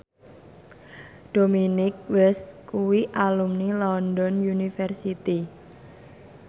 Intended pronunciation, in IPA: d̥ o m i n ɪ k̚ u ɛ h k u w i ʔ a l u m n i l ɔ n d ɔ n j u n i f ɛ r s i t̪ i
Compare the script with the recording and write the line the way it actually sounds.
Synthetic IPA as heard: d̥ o m i n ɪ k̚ w ɛ s k u w i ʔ a l u m n i l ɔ n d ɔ n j u n i f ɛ r s i t̪ i